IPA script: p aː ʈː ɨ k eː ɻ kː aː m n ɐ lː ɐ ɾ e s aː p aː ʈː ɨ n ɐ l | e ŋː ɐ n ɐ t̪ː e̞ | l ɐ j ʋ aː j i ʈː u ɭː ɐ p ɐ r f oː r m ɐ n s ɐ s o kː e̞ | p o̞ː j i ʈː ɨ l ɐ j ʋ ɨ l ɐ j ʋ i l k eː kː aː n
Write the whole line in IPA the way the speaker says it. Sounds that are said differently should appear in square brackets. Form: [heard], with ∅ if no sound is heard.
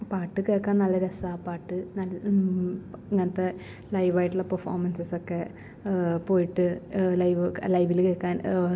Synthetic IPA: p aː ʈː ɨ k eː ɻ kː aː [n] n ɐ lː ɐ ɾ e s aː p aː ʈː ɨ n ɐ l | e ŋː ɐ n ɐ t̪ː e̞ | l ɐ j ʋ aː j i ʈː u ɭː ɐ p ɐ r f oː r m ɐ n s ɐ s o kː e̞ | p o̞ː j i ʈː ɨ l ɐ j ʋ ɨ l ɐ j ʋ i l k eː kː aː n